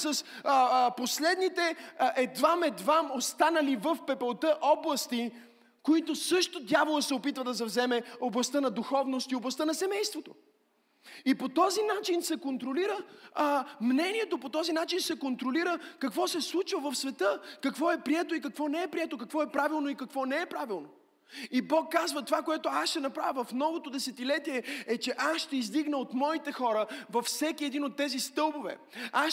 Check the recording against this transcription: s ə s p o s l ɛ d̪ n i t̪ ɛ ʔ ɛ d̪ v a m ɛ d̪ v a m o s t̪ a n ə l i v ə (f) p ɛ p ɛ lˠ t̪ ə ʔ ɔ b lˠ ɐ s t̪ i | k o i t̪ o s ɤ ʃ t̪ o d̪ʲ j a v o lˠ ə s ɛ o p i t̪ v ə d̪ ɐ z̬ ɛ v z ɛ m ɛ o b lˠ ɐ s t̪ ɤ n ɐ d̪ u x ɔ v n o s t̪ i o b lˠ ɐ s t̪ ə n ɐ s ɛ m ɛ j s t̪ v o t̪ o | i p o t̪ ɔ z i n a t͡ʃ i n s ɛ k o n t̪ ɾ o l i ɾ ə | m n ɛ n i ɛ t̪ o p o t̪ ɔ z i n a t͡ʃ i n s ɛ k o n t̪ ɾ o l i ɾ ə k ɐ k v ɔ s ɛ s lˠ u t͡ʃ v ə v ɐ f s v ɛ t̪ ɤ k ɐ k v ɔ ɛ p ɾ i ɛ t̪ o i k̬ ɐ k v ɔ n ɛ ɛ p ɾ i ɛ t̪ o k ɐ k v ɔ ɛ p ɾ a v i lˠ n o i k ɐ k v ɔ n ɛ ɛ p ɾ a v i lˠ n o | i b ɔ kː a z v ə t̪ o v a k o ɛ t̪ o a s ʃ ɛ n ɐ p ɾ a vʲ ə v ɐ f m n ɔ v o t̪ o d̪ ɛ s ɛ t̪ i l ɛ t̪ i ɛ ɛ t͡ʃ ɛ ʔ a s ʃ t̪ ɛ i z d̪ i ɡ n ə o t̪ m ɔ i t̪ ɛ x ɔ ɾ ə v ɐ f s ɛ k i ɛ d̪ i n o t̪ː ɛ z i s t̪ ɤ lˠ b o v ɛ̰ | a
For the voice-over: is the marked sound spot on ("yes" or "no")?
yes